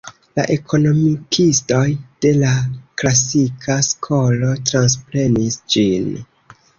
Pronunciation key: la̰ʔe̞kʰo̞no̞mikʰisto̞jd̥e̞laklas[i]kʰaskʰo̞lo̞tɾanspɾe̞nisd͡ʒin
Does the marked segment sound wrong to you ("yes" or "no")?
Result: no